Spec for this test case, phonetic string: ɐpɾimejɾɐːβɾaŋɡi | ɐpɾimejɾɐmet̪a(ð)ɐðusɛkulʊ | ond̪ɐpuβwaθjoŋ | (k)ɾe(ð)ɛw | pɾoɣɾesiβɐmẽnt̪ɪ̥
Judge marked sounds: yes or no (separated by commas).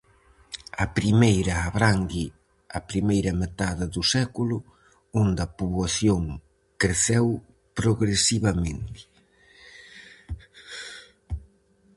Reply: yes, yes, no